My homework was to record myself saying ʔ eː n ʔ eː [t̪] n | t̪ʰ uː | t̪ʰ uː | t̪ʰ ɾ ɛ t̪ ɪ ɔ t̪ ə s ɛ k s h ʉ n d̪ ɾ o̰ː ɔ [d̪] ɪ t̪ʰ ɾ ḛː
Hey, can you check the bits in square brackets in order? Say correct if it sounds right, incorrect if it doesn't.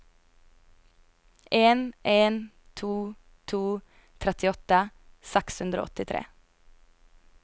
incorrect, incorrect

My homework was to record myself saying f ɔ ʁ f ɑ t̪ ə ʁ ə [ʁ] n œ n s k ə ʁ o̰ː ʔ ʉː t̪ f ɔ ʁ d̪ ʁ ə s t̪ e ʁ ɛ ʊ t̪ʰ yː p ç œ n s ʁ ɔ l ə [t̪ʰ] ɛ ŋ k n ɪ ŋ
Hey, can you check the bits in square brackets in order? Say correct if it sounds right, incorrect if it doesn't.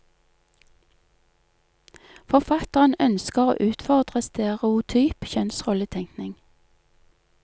incorrect, correct

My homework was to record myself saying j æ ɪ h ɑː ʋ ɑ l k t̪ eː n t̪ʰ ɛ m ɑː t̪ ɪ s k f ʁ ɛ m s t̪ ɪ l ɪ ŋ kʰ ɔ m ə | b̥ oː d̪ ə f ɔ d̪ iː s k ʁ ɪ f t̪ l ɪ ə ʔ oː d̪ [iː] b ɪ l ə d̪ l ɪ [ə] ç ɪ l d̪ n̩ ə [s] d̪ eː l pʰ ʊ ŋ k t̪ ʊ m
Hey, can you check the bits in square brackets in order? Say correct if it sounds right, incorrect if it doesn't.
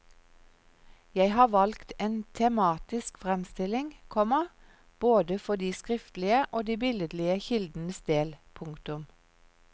correct, correct, correct

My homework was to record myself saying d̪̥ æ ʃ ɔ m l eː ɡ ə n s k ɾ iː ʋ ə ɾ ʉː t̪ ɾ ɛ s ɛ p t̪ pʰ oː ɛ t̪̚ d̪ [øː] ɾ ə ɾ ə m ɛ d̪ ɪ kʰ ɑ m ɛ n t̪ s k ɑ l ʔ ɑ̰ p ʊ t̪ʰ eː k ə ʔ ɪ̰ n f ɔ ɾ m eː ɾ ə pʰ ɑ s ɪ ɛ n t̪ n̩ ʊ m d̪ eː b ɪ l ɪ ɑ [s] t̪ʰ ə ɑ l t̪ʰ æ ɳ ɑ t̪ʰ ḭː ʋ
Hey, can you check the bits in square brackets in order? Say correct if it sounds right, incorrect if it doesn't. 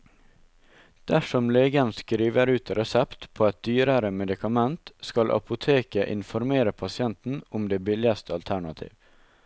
incorrect, correct

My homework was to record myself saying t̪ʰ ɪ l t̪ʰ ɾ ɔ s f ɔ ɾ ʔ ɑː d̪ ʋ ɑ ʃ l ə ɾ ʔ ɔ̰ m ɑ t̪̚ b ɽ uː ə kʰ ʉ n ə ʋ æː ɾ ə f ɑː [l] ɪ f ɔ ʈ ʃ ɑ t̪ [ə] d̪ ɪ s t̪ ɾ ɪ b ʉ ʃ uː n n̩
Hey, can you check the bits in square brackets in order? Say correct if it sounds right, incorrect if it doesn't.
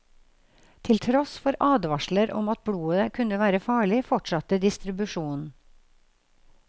incorrect, correct

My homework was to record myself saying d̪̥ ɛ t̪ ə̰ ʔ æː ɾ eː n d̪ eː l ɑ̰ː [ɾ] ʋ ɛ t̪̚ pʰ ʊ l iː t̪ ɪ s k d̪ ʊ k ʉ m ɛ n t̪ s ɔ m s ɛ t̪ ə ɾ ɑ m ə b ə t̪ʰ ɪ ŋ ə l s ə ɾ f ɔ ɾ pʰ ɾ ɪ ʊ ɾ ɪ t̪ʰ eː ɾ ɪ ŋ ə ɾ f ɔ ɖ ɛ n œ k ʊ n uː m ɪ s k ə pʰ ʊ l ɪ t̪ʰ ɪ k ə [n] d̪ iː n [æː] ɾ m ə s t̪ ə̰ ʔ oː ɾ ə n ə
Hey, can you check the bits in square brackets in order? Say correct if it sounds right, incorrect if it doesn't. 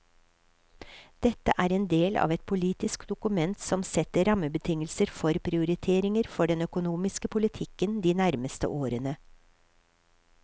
incorrect, correct, incorrect

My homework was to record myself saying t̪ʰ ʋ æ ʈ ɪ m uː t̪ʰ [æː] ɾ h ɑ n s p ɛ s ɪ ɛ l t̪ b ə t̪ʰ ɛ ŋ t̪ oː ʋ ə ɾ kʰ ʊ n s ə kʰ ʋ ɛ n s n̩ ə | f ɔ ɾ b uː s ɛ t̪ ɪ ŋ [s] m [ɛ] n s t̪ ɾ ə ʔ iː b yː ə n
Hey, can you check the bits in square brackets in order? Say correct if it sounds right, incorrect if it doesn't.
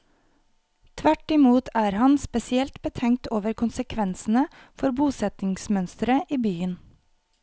correct, correct, incorrect

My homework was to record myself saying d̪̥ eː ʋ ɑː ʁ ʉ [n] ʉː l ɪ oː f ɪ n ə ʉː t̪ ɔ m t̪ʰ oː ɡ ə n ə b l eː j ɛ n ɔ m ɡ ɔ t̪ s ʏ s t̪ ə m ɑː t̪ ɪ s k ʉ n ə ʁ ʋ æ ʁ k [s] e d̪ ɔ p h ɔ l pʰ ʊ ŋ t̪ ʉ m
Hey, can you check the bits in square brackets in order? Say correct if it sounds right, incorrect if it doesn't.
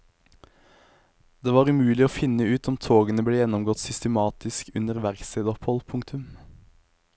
incorrect, correct

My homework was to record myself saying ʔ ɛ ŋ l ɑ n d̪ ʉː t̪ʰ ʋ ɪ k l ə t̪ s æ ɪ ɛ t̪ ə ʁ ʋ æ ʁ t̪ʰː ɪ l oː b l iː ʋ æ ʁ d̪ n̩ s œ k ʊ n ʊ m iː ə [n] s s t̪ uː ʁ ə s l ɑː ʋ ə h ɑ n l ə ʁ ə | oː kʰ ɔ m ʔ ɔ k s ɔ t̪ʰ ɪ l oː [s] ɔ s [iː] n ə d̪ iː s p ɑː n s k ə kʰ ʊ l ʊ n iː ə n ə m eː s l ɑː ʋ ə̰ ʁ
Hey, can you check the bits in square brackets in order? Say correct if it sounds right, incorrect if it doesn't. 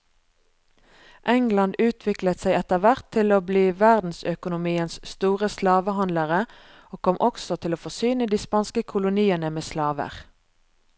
correct, incorrect, incorrect

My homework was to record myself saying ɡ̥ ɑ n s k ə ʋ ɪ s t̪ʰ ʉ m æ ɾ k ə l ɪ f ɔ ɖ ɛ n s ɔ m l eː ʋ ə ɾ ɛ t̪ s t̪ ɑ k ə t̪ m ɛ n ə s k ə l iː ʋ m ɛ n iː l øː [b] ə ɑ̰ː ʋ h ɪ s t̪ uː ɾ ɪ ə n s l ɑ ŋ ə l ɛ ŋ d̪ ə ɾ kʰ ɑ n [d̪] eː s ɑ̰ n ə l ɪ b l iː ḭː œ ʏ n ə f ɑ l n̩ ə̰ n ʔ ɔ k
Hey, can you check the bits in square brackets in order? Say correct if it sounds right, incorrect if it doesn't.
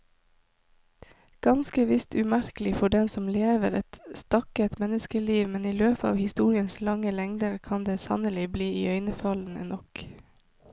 incorrect, correct

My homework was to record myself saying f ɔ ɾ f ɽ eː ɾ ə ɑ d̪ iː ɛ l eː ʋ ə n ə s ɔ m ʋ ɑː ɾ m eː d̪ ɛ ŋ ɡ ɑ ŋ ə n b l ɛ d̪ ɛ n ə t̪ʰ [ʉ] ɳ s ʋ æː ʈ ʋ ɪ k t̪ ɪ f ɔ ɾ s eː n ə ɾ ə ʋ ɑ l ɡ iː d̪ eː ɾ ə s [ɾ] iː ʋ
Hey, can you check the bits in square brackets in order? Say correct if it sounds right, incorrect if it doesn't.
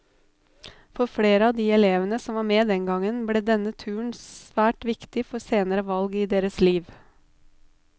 incorrect, incorrect

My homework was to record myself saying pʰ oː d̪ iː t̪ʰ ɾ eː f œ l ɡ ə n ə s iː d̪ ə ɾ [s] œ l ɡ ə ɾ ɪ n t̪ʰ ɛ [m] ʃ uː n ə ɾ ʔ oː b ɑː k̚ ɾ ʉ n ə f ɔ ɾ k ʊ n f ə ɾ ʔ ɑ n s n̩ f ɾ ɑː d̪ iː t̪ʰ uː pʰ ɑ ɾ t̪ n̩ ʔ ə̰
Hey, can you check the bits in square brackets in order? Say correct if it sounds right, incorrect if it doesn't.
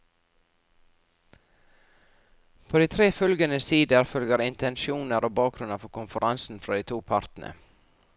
incorrect, incorrect

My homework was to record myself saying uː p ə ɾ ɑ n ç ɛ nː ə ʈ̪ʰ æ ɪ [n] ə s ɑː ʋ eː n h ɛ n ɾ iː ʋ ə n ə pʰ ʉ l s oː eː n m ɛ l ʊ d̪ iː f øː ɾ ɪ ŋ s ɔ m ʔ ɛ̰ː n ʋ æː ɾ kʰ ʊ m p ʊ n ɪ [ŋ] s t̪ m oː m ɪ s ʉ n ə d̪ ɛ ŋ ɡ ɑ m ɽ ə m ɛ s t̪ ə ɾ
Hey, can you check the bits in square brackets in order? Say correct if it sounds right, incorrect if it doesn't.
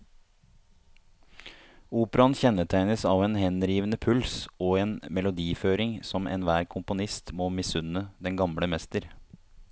correct, incorrect

